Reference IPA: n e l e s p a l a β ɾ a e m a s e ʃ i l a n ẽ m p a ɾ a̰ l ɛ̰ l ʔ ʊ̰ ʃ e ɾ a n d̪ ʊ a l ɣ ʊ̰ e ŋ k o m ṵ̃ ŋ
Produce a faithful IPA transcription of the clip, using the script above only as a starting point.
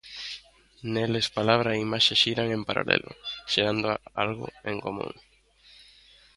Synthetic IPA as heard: n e l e s p a l a β ɾ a i m a ʃ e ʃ i ɾ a ŋ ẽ m p a ɾ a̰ l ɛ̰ l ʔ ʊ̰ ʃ e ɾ a n d̪ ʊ a l ɣ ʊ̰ e ŋ k o m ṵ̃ ŋ